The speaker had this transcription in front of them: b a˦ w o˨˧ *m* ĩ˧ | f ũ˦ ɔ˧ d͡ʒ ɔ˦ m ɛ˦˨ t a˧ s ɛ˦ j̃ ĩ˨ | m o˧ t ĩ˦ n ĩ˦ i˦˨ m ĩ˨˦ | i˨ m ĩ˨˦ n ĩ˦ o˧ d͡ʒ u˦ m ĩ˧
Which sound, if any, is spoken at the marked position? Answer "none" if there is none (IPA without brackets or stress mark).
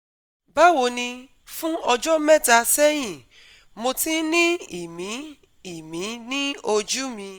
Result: n